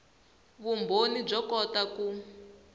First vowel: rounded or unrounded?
rounded